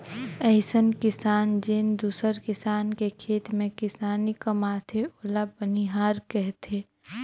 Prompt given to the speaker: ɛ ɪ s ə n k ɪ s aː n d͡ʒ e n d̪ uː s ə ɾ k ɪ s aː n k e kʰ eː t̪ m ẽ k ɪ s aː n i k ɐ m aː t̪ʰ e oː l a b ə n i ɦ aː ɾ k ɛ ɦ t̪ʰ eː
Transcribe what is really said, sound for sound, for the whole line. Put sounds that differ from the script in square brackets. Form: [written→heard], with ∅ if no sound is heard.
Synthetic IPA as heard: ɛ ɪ s ə n k ɪ s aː n d͡ʒ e n d̪ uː s ə ɾ k ɪ s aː n k e kʰ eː t̪ m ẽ k ɪ s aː n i k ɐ m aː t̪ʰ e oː l a b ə n i ɦ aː ɾ k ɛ ɦ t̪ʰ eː